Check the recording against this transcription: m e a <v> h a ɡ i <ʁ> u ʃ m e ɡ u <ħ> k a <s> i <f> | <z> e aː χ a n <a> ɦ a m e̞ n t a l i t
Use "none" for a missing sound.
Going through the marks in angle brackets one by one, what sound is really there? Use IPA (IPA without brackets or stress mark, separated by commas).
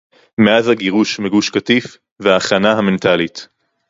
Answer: z, ʁ, ʃ, t, f, v, a